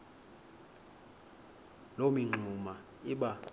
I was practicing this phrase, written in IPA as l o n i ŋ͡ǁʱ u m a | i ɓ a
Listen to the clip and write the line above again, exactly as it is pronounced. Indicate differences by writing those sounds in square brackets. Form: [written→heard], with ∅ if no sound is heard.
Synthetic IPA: l o [n→m] i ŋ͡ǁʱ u m a | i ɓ a